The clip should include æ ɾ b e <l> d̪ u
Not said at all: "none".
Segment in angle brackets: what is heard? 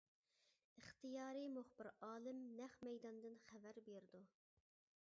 ɾ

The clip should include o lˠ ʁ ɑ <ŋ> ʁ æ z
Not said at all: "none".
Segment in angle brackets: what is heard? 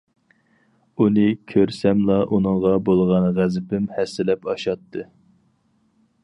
n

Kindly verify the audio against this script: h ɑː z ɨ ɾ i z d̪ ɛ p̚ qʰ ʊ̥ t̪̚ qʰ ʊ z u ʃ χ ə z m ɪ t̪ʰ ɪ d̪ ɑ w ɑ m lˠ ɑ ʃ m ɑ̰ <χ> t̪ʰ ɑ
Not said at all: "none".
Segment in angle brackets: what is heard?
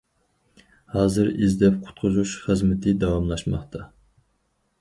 χ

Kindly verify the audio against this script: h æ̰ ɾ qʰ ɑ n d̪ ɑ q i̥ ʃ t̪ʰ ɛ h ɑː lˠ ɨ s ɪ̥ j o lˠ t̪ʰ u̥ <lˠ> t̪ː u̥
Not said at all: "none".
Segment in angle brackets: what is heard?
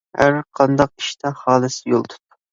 none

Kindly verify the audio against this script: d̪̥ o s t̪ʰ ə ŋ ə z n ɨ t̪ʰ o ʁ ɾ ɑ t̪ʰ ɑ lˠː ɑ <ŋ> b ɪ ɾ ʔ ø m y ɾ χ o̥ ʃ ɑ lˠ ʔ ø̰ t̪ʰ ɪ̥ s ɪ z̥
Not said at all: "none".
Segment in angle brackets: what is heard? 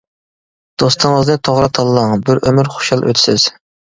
ŋ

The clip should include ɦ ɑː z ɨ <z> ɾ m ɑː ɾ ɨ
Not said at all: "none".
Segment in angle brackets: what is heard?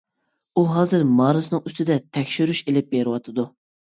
none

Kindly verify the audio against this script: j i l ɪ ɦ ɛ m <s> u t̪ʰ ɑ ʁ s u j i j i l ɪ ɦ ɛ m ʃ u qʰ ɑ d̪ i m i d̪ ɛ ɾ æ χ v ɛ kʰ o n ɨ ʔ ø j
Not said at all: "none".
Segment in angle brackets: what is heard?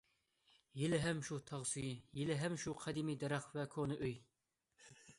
ʃ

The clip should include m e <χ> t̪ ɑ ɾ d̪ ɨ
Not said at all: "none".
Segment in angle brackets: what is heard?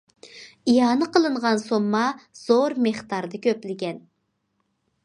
χ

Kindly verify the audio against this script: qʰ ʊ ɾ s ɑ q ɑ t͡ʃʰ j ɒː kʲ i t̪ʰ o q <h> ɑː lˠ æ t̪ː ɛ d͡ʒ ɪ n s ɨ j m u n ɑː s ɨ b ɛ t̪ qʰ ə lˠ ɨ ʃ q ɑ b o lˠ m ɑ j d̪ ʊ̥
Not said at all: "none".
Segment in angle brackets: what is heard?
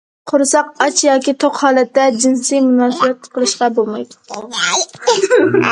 h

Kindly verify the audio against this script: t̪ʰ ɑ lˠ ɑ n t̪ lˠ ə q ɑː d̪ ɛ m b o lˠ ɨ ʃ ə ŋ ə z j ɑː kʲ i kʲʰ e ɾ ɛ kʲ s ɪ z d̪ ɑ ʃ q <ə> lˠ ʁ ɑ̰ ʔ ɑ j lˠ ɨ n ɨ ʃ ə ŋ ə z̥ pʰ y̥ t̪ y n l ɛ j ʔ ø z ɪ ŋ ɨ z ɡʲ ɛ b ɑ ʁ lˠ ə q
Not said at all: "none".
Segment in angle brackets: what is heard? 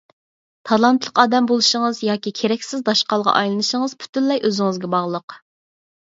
ɑ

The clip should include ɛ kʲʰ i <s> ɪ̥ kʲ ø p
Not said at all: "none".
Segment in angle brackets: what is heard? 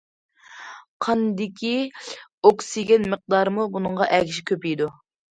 ʃ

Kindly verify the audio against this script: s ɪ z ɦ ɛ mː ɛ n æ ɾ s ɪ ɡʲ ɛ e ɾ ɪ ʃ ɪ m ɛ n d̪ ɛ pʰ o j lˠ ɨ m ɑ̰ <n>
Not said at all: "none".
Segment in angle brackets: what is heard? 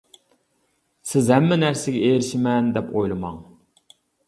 ŋ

